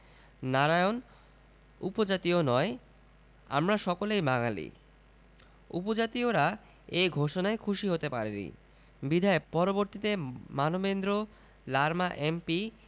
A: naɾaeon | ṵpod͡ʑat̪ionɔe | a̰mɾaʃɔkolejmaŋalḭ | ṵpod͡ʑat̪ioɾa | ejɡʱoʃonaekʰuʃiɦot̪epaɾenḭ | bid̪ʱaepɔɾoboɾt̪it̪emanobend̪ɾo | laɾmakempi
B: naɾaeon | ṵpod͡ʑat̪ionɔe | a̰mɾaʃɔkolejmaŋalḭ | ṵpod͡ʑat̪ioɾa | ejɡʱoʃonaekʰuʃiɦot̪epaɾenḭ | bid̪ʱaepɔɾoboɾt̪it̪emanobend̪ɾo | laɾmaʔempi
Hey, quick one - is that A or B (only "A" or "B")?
B